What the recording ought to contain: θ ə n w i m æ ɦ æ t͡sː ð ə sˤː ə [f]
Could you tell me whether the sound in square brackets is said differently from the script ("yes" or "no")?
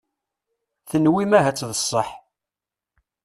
yes